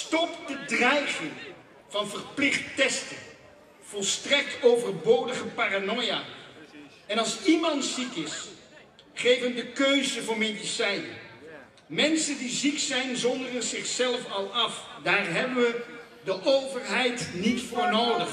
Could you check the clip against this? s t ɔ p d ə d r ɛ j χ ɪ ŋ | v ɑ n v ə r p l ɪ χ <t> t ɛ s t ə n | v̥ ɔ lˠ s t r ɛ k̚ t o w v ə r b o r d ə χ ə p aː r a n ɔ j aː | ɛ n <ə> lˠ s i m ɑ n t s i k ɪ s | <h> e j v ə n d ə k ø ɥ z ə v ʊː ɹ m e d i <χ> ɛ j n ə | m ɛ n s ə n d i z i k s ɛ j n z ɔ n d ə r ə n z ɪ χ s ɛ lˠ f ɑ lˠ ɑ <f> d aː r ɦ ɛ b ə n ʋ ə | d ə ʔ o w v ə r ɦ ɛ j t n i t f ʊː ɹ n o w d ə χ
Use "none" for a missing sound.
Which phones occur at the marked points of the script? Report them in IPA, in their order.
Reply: t, ɑ, χ, s, f

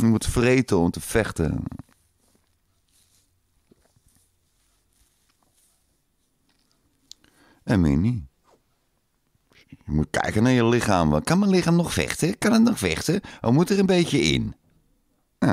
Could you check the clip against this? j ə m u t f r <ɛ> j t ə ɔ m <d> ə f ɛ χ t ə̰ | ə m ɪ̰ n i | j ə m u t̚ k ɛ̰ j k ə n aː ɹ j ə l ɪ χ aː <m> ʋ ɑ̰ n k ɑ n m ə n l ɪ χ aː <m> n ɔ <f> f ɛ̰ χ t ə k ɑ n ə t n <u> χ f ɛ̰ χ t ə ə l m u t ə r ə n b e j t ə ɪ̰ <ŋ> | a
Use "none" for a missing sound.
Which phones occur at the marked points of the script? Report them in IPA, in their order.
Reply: e, t, m, m, χ, ɔ, n

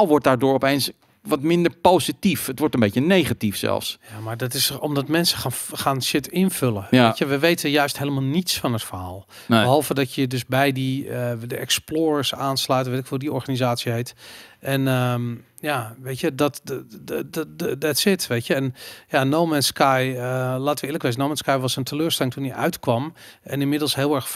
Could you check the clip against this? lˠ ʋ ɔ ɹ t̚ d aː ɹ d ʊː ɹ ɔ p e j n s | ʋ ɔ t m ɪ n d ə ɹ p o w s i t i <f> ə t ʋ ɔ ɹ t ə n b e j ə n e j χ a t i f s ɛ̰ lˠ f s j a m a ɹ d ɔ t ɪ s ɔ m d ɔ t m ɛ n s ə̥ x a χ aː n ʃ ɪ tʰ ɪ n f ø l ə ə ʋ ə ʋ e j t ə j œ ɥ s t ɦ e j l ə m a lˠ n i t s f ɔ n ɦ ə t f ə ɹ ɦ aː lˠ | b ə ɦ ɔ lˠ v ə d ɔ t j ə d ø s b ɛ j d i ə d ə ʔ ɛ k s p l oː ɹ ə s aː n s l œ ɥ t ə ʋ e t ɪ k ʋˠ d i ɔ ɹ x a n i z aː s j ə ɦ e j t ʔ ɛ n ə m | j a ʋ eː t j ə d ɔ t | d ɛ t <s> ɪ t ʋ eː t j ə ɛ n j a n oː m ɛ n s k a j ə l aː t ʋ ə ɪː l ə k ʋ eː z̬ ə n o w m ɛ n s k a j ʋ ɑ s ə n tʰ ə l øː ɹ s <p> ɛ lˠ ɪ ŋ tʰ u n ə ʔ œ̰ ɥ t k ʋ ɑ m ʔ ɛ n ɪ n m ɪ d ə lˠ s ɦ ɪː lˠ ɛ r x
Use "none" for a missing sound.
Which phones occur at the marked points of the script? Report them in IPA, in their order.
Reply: f, s, t

